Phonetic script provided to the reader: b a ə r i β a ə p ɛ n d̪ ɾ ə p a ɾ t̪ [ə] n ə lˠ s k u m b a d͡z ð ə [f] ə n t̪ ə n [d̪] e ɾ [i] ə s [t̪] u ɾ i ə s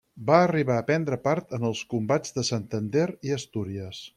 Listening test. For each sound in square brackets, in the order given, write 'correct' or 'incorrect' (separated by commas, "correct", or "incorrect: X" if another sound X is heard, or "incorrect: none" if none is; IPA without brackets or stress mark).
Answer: correct, incorrect: s, correct, correct, correct